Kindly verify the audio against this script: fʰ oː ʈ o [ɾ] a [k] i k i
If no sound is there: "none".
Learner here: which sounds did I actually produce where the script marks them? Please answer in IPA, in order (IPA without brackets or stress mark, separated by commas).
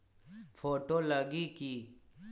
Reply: l, ɡ